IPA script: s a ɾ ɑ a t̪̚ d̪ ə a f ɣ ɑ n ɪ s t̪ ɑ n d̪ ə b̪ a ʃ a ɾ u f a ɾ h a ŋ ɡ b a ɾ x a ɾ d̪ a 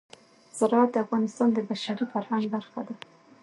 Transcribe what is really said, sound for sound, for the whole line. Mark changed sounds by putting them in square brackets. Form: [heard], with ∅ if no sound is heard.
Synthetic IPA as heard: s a ɾ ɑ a t̪̚ d̪ ə a f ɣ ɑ n ɪ s t̪ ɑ n d̪ ə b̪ a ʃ a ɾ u f a ɾ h a ŋ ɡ b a ɾ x a [∅] d̪ a